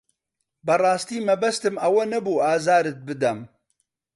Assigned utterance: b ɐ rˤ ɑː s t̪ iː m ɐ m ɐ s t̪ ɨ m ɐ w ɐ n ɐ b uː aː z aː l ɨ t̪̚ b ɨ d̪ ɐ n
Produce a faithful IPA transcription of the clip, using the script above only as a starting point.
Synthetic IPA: b ɐ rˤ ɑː s t̪ iː m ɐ b ɐ s t̪ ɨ m ɐ w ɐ n ɐ b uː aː z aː ɾ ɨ t̪̚ b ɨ d̪ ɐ m